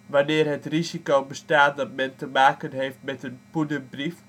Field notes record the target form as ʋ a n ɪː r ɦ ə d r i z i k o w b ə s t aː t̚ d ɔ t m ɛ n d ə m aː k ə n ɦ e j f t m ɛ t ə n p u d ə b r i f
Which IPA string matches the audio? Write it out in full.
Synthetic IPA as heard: ʋ a n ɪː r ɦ ə t r i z i k o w b ə s t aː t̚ d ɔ t m ɛ n t ə m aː k ə n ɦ e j f t m ɛ t ə n p u d ə b r i f